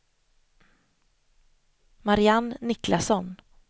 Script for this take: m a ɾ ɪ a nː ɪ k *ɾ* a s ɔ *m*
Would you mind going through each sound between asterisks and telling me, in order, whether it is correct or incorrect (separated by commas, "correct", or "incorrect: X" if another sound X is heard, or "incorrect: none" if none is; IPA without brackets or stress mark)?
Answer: incorrect: l, incorrect: n